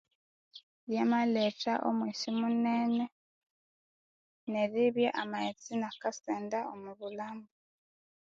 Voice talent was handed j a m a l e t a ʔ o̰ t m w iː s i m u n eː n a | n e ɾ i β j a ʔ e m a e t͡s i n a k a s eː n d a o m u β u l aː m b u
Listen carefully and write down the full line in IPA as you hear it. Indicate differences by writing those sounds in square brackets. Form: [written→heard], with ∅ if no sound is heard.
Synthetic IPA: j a m a l e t a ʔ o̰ [t→∅] m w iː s i m u n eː n [a→e] | n e ɾ i β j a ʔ [e→a] m a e t͡s i n a k a s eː n d a o m u β u l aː m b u